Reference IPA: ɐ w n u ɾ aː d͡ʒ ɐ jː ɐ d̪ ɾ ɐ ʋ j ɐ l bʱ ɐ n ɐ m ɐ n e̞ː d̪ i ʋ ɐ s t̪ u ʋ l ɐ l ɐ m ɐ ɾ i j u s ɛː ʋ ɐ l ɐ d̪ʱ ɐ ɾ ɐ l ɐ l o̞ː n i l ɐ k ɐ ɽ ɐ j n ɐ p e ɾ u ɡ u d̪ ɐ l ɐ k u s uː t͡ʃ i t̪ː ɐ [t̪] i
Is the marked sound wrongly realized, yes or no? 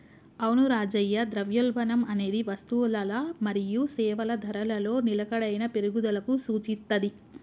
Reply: yes